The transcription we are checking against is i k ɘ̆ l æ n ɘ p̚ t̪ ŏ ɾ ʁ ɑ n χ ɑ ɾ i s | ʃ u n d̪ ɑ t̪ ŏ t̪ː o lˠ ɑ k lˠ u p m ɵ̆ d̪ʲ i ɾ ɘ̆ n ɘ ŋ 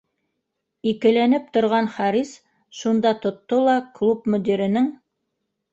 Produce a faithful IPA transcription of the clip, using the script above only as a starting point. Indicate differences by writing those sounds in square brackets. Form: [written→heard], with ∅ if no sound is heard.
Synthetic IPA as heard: i k ɘ̆ l æ n ɘ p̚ t̪ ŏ ɾ ʁ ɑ n χ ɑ ɾ i s | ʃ u n d̪ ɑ t̪ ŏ t̪ː o lˠ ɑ k lˠ u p m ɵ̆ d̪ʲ i ɾ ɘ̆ n ɘ ŋ